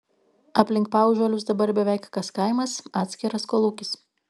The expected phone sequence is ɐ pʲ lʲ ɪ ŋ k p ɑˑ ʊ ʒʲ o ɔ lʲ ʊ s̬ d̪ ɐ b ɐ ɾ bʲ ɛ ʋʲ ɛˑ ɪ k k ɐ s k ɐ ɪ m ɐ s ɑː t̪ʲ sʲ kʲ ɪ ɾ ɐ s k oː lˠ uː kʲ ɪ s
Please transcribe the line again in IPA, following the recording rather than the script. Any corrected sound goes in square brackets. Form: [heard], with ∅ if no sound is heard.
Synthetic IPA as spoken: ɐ pʲ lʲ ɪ ŋ k p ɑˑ ʊ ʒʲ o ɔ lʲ ʊ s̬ d̪ ɐ b ɐ ɾ bʲ ɛ ʋʲ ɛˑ ɪ k k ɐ s k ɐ ɪ m ɐ s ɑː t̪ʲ sʲ kʲ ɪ ɾ ɐ s k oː lˠ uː kʲ ɪ s